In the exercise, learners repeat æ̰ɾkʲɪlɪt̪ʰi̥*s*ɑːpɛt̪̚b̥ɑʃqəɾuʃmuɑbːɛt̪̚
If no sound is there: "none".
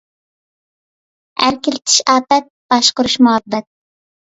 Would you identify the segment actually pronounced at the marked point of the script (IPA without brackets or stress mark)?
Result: ʃ